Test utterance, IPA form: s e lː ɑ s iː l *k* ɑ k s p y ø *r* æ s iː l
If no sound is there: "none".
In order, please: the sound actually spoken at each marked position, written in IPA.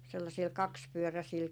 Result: k, r

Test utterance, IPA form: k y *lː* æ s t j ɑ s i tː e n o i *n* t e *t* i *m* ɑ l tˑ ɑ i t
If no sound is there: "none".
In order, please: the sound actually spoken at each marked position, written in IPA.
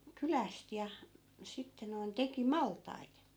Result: l, n, k, m

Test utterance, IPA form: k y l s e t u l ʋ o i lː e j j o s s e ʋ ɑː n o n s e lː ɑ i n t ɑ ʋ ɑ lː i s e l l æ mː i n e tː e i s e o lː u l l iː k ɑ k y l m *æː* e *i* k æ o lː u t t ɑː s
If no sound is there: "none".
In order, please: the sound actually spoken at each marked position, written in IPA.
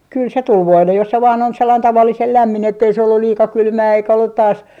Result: æː, i

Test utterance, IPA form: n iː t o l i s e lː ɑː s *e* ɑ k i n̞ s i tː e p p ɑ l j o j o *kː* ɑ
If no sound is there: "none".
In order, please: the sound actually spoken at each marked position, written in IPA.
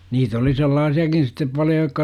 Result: i, kː

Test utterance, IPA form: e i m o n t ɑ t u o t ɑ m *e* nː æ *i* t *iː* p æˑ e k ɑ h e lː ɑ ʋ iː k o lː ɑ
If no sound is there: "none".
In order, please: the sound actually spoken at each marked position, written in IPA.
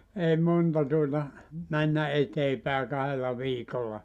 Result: æ, e, eː

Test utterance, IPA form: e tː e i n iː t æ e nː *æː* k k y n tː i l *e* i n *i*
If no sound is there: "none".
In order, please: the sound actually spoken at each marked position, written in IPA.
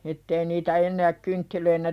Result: æː, ø, æ

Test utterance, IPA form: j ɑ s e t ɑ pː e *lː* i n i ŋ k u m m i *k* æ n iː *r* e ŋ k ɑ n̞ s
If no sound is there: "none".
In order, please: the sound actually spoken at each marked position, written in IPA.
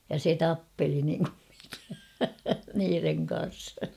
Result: l, k, r

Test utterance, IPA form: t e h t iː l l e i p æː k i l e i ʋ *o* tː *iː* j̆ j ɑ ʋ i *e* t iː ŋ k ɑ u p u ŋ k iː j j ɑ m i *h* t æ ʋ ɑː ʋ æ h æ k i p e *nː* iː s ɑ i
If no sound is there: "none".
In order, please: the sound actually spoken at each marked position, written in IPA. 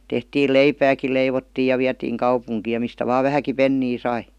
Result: o, iː, æ, s, nː

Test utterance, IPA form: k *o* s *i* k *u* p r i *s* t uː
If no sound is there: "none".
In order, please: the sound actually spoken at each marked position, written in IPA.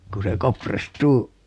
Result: u, e, o, s

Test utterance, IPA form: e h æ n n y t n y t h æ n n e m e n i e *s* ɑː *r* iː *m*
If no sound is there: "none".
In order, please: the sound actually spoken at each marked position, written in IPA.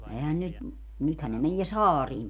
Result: s, r, m

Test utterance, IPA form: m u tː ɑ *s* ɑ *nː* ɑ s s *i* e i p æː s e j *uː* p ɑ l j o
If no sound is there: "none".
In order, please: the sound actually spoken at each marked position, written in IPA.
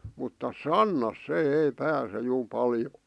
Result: s, nː, e, uː

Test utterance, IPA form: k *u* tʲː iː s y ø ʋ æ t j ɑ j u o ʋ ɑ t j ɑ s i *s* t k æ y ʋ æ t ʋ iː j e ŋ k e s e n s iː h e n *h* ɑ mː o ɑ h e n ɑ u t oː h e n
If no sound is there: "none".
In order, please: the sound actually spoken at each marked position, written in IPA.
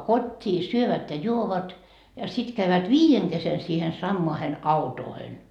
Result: o, none, s

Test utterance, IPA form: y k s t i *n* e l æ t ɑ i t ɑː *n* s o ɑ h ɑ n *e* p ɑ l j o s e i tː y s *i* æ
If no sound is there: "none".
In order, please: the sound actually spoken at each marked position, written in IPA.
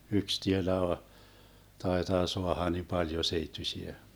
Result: none, none, i, i

